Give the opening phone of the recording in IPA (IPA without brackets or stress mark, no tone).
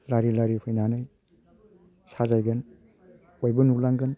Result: l